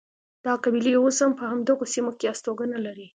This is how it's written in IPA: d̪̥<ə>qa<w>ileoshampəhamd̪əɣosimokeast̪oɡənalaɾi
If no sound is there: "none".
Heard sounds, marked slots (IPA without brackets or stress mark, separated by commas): ɑ, b